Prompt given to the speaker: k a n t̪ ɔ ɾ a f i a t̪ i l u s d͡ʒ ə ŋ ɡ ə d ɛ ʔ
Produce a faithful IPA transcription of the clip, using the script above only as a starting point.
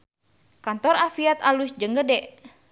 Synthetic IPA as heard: k a n t̪ ɔ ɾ a f i a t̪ a l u s d͡ʒ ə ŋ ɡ ə d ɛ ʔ